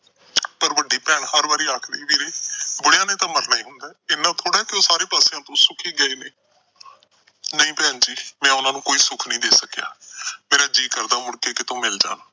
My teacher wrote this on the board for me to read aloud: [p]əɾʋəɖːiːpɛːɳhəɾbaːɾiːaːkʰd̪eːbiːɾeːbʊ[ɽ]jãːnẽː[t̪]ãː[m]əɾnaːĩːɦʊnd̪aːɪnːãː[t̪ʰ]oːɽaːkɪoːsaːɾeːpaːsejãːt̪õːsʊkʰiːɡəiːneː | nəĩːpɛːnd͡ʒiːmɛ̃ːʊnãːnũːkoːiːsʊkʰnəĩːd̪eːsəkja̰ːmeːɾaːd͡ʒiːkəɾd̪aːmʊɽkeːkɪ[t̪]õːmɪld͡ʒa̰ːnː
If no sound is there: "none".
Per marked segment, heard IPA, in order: p, ɽ, t̪, m, t̪ʰ, t̪

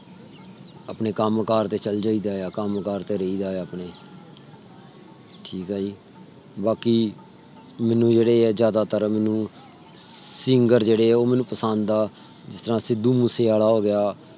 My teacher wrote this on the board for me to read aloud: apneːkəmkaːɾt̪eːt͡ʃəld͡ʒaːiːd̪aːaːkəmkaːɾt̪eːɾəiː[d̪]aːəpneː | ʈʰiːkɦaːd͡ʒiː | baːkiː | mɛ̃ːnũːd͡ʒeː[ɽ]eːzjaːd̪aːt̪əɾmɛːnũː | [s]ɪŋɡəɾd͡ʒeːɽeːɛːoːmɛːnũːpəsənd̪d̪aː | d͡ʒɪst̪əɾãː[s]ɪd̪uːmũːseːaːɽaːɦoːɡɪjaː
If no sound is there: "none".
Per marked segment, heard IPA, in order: d̪, ɽ, s, s

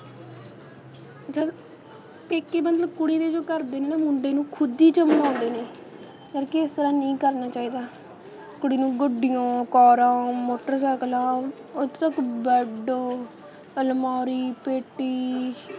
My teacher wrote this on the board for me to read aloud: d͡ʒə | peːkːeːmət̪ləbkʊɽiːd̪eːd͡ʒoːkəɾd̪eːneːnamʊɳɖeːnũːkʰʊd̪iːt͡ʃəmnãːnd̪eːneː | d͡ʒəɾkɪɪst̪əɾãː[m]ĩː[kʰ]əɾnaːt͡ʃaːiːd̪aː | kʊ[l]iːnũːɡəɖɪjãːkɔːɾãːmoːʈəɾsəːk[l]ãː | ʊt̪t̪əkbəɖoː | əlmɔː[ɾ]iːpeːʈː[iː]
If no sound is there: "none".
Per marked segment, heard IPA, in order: n, k, ɽ, l, ɾ, iː

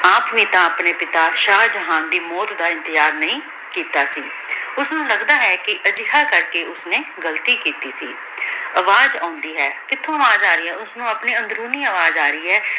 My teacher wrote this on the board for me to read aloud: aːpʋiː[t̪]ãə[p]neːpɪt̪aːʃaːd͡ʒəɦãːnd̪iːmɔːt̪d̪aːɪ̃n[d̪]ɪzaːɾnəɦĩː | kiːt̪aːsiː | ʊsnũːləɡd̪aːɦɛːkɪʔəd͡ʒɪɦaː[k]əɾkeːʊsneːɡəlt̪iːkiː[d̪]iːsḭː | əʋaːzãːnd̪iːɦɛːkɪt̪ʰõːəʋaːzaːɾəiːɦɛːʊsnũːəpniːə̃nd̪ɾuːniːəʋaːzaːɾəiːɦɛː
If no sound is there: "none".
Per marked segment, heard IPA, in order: t̪, p, t̪, k, t̪

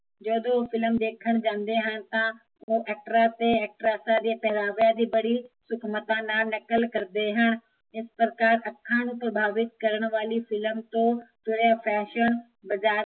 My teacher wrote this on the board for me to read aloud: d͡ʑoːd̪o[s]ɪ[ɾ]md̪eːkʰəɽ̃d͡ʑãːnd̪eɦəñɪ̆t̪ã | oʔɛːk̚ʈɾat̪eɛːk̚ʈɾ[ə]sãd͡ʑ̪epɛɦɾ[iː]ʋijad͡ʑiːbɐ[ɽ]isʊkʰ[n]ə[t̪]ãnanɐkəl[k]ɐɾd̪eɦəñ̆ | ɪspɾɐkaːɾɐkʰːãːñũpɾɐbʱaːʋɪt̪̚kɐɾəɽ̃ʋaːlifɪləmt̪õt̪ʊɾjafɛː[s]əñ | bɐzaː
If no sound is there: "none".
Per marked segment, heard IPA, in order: f, l, a, aː, ɽ, m, t̪, k, ʃ

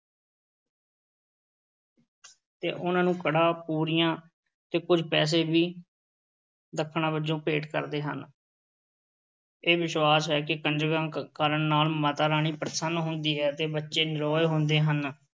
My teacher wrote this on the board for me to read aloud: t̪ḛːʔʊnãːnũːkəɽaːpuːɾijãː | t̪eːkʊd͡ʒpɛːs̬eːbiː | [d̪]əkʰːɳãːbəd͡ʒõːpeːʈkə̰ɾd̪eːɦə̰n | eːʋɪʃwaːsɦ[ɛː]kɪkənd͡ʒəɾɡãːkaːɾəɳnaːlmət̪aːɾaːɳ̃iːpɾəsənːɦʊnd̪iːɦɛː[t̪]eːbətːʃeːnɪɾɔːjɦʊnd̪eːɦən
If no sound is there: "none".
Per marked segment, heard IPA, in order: d̪, ɛː, t̪

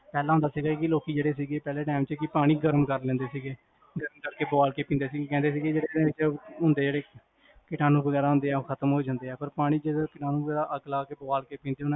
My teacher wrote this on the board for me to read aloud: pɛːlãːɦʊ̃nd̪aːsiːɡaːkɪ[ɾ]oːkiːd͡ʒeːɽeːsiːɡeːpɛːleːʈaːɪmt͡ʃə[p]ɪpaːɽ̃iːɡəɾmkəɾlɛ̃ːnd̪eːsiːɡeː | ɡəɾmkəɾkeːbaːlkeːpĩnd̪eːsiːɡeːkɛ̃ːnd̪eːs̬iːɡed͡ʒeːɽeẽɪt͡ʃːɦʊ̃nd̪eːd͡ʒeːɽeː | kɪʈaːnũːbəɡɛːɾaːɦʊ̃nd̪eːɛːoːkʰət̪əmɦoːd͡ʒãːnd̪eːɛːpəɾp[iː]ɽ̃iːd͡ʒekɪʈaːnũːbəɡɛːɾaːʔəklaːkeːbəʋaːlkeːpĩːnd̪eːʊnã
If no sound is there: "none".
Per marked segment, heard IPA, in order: l, k, aː

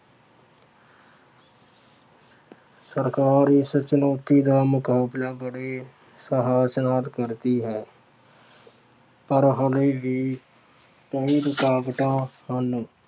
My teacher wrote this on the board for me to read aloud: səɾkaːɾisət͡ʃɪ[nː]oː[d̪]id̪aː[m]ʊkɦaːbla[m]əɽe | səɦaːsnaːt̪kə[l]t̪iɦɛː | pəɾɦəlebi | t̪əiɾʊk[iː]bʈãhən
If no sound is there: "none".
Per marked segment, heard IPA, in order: n, t̪, m, b, ɾ, aː

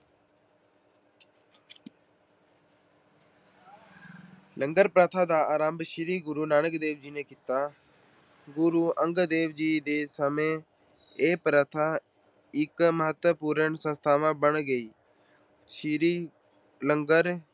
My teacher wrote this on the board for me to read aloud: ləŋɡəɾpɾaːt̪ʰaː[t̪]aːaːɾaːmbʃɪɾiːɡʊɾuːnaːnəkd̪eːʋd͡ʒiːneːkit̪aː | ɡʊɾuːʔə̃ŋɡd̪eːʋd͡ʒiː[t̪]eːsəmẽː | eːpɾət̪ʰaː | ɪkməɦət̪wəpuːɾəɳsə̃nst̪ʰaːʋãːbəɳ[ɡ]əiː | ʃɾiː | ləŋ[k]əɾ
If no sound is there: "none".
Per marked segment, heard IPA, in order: d̪, d̪, ɡ, ɡ

